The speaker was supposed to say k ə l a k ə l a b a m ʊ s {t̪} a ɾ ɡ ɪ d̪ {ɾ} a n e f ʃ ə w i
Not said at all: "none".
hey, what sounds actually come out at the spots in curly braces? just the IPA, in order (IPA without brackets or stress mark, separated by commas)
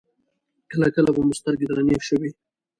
t̪, ɾ